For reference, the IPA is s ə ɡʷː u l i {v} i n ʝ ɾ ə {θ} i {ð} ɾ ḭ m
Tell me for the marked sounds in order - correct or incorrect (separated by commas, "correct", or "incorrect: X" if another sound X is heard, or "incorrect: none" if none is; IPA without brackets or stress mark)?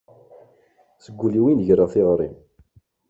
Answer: incorrect: w, correct, incorrect: ʁ